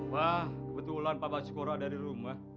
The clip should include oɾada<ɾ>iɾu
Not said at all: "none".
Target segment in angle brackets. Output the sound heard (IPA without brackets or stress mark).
ɾ